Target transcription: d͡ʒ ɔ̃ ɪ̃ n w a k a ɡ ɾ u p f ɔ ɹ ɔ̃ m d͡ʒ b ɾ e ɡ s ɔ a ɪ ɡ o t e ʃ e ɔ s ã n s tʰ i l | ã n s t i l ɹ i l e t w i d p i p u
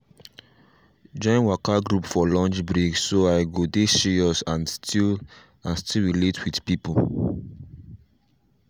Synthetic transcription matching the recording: d͡ʒ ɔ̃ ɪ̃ n w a k a ɡ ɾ u p f ɔ l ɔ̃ n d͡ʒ b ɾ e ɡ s o a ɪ ɡ o d e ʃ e ɔ s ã n s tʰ i l | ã n s t i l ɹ i l e t w i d p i p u